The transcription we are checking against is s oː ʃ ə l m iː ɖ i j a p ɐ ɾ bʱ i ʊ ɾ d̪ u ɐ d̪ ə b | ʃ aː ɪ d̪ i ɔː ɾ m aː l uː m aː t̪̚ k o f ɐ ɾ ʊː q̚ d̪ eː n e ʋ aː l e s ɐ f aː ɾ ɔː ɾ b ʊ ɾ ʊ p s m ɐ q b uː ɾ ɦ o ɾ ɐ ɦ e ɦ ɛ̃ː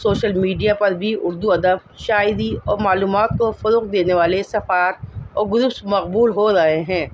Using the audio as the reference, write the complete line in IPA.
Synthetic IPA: s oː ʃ ə l m iː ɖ i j a p ɐ ɾ bʱ i ʊ ɾ d̪ u ɐ d̪ ə b | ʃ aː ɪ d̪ i ɔː ɾ m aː l uː m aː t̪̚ k o f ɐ ɾ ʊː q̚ d̪ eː n e ʋ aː l e s ɐ f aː ɾ ɔː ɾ ɡ ʊ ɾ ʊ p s m ɐ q b uː l ɦ o ɾ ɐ ɦ e ɦ ɛ̃ː